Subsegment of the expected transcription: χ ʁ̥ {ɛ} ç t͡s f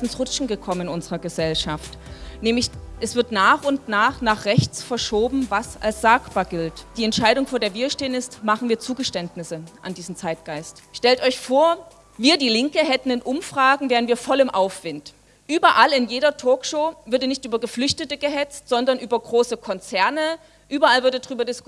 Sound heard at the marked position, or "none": ɛ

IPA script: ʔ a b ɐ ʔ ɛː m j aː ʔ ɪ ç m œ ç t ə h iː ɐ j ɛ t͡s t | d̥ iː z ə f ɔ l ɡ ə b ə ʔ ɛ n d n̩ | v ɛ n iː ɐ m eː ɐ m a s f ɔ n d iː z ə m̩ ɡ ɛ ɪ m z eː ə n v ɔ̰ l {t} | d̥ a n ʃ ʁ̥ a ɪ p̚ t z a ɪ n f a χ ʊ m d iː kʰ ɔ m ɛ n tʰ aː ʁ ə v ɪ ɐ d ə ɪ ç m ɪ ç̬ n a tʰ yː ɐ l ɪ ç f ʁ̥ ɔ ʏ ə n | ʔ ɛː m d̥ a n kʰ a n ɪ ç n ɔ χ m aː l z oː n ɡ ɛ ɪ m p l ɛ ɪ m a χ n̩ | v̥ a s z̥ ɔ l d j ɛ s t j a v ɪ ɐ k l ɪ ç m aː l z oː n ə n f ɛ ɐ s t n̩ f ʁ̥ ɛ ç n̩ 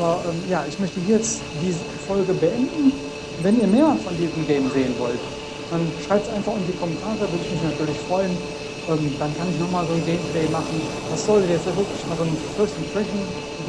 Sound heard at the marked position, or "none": t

